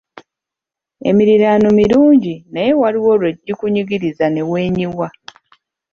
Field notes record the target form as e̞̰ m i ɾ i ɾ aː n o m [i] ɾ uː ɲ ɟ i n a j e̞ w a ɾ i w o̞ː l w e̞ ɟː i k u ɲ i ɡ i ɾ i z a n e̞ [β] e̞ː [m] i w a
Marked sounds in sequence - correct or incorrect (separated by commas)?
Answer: correct, incorrect, incorrect